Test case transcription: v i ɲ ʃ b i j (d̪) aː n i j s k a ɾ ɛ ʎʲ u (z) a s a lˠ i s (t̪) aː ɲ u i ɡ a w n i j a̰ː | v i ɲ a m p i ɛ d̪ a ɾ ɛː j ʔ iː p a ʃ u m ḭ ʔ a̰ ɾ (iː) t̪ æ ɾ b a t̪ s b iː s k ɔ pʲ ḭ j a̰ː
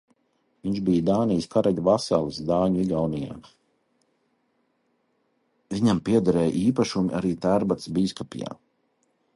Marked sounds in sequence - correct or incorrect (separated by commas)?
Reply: correct, incorrect, incorrect, correct